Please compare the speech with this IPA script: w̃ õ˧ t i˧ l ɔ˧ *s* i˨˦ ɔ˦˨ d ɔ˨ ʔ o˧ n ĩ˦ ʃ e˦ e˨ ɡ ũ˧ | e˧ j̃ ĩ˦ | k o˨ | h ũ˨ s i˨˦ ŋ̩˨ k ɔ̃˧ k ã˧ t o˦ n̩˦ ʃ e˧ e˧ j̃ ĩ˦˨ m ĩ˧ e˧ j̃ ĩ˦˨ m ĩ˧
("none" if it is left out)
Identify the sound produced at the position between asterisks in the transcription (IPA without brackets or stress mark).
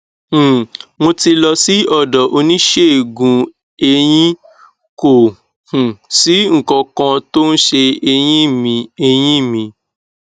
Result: s